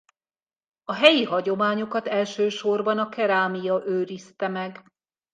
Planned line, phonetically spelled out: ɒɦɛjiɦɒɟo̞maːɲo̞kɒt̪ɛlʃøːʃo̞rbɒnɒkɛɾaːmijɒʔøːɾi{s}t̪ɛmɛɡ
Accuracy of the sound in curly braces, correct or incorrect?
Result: correct